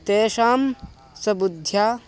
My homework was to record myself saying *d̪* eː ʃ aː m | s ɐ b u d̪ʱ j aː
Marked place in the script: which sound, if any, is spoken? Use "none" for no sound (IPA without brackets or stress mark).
t̪